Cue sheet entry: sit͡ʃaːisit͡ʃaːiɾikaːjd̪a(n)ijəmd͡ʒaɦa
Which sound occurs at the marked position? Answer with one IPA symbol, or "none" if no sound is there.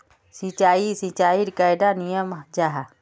n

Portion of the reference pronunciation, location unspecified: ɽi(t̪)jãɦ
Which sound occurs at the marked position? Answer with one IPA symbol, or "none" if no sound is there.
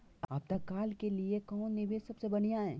none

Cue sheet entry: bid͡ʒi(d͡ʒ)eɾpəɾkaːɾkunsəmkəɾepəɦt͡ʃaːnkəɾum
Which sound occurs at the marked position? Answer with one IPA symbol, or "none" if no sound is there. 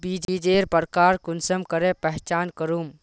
d͡ʒ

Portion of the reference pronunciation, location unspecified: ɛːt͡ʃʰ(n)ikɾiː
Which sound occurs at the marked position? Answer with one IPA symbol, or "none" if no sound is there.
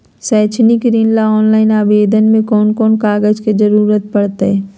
n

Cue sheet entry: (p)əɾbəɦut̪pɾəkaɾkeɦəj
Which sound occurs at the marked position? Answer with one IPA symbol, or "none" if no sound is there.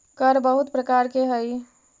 k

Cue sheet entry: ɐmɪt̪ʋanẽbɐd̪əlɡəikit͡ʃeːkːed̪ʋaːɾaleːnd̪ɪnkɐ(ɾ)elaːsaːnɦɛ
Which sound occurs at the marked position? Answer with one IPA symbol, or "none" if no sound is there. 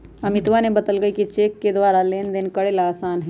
ɽ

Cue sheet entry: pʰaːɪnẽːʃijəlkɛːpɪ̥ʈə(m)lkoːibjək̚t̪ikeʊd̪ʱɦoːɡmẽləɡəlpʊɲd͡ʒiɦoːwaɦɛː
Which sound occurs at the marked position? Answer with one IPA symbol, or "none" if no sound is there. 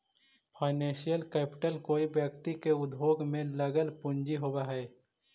none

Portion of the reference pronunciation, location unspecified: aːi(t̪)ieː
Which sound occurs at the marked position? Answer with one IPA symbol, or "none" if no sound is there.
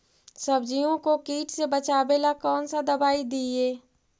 d̪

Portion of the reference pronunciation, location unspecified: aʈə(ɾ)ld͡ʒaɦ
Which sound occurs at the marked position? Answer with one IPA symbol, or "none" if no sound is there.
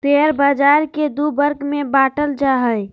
none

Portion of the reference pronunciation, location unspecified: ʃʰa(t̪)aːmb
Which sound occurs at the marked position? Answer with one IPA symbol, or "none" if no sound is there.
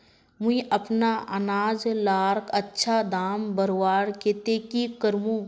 d̪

